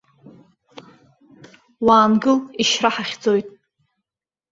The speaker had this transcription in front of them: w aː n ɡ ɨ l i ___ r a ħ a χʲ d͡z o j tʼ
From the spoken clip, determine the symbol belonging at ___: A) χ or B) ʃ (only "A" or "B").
B